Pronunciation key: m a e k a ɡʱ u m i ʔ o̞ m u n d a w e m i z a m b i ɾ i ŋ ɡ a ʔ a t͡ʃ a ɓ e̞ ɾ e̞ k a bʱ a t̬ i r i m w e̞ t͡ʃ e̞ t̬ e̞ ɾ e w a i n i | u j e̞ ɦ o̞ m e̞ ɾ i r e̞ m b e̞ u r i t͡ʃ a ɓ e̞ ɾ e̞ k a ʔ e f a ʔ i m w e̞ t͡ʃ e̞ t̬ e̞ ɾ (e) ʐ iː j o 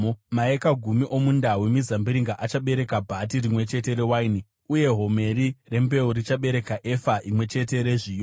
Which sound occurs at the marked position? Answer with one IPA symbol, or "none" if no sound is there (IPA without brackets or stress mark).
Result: e